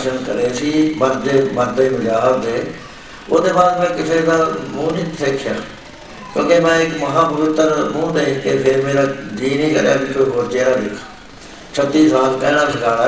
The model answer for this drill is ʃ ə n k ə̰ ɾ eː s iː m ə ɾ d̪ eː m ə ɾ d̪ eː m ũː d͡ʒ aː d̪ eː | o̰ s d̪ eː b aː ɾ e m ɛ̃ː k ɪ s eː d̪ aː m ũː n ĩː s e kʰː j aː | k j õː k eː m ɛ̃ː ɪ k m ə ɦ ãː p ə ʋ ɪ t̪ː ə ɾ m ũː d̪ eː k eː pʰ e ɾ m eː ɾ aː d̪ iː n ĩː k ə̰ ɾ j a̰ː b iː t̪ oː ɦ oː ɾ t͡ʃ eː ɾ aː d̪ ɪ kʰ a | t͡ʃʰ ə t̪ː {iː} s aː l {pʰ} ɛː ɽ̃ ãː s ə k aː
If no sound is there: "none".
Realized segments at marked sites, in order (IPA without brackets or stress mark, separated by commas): iː, p